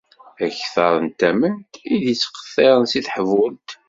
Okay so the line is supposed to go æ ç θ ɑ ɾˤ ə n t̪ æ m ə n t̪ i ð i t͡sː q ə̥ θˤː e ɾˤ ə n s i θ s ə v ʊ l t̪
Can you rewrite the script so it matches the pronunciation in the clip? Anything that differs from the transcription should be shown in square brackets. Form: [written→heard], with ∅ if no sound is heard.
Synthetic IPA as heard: æ ç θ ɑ ɾˤ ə n t̪ æ m ə n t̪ i ð i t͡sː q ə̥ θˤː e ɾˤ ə n s i θ [s→ħ] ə v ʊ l t̪